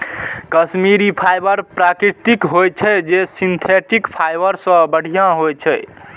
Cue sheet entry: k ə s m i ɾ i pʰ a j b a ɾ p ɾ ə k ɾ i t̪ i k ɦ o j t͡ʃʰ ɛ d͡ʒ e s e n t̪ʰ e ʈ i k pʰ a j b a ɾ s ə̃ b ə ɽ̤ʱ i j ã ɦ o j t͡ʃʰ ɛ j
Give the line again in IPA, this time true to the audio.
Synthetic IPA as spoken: k ə s m i ɾ i pʰ a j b ə ɾ p ɾ a k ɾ i t̪ i k ɦ o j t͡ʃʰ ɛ d͡ʒ e s i n t̪ʰ e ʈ i k pʰ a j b ə ɾ s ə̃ b ə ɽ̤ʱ i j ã ɦ o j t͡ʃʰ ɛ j

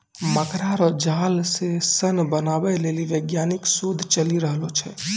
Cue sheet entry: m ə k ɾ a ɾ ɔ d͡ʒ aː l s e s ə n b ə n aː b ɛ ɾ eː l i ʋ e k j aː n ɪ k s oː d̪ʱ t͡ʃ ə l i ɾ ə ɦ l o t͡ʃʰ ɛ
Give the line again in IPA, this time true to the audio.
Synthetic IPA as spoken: m ə k ɾ a ɾ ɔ d͡ʒ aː l s e s ə n b ə n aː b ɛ l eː l i ʋ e ɡ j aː n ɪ k s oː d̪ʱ t͡ʃ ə l i ɾ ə ɦ l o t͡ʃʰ ɛ

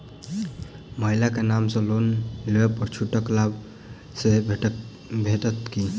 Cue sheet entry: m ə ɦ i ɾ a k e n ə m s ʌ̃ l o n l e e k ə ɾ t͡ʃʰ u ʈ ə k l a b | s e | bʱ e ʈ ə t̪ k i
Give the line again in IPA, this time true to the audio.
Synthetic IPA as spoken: m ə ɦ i l a k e n a m s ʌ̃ l o n l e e p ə ɾ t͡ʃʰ u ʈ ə k l a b | s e | bʱ e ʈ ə t̪ k i

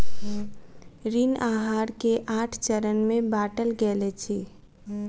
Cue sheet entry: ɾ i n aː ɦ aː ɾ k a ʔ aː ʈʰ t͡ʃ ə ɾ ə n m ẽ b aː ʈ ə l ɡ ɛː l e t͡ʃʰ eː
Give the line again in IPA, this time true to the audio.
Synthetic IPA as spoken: ɾ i n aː ɦ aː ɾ k e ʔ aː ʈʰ t͡ʃ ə ɾ ə n m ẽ b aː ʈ ə l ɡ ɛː l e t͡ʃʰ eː

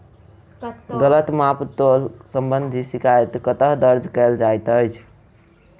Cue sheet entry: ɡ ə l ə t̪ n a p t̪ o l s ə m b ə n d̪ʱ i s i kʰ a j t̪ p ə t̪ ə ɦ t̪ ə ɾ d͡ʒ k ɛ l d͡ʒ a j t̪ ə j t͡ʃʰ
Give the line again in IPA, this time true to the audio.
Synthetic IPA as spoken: ɡ ə l ə t̪ m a p t̪ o l s ə m b ə n d̪ʱ i s i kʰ a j t̪ k ə t̪ ə ɦ d̪ ə ɾ d͡ʒ k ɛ l d͡ʒ a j t̪ ə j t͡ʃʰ

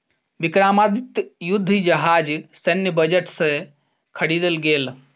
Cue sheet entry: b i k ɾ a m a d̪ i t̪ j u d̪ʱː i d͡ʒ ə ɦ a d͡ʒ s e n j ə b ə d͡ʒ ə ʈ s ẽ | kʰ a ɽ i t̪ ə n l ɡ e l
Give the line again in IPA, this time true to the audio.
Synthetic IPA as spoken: b i k ɾ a m a d̪ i t̪ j u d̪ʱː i d͡ʒ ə ɦ a d͡ʒ s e n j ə b ə d͡ʒ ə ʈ s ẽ | kʰ ə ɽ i d̪ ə l ɡ e l

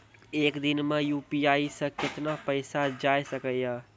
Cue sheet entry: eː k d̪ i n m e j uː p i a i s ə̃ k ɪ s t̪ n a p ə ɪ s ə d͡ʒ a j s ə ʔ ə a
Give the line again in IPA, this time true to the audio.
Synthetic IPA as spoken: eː k d̪ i n m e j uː p i a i s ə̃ k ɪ t̪ n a p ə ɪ s a d͡ʒ a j s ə k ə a

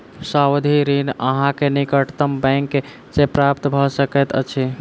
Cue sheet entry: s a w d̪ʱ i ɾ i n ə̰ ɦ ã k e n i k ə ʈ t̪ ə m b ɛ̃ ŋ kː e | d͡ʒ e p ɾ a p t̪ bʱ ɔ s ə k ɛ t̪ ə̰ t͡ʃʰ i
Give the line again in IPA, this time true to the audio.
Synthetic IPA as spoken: s a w d̪ʱ i ɾ i n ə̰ ɦ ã k e n i k ə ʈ t̪ ə m b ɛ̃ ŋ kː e | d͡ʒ e p ɾ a p t̪ bʱ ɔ s ə k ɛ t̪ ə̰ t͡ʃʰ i

